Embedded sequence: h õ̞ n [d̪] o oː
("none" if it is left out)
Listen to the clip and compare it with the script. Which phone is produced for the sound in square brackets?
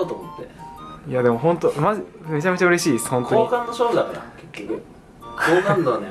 t̪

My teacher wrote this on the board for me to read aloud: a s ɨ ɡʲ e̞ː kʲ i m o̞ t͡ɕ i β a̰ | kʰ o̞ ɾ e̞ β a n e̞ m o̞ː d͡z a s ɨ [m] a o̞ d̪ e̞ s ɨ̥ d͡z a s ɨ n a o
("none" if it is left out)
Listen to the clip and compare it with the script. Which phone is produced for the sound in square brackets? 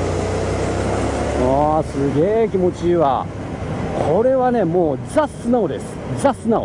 n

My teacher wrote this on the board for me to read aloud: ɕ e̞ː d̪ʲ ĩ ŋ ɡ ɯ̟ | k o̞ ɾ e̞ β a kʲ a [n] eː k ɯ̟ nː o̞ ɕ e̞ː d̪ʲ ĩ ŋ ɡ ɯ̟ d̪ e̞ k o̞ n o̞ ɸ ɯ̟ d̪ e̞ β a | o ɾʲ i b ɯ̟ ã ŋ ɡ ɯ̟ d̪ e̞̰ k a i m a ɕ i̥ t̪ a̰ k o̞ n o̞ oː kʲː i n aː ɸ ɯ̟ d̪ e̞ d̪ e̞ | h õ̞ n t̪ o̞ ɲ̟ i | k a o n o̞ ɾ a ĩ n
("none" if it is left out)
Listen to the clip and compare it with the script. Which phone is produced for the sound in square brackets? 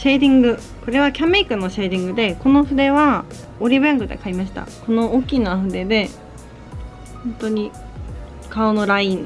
m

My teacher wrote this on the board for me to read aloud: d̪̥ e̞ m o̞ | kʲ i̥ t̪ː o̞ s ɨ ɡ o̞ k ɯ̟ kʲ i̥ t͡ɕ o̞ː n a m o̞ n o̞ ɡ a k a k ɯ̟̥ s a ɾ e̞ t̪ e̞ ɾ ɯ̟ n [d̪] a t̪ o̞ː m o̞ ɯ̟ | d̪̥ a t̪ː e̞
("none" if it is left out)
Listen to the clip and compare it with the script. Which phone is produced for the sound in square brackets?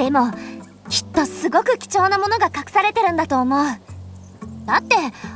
d̪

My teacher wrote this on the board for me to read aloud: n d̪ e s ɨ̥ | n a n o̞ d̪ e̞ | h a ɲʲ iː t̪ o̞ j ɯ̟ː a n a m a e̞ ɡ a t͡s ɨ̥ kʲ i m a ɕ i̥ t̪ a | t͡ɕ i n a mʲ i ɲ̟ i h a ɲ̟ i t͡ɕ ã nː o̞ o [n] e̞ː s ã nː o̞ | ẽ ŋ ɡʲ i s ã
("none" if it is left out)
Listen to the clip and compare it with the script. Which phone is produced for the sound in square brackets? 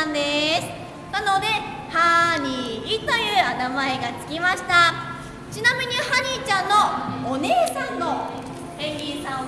n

